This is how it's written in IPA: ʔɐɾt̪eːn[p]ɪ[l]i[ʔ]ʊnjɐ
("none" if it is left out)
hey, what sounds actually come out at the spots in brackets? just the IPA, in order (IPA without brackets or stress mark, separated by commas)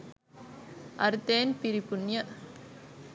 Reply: p, ɾ, p